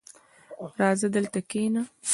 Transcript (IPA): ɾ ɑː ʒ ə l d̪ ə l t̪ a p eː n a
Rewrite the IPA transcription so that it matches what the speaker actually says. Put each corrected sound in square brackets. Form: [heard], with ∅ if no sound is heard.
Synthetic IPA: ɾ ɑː [z] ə [∅] d̪ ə l t̪ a [k] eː n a